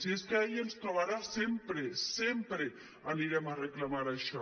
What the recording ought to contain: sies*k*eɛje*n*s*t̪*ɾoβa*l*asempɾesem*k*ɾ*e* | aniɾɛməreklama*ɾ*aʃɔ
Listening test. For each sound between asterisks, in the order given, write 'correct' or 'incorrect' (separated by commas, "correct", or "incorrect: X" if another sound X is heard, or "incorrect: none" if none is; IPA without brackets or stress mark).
correct, correct, correct, incorrect: ɾ, incorrect: p, correct, correct